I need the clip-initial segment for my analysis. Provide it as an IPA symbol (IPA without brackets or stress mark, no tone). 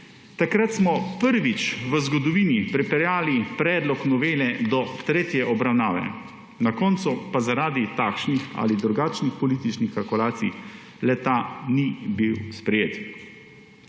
t̪